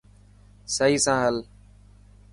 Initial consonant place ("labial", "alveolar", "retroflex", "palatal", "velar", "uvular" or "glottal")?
alveolar